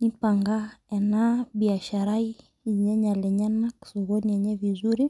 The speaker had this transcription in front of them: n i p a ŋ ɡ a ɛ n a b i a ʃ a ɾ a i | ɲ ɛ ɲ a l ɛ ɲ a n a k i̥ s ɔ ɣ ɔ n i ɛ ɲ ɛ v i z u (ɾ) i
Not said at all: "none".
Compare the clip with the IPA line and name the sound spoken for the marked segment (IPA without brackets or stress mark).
ɾ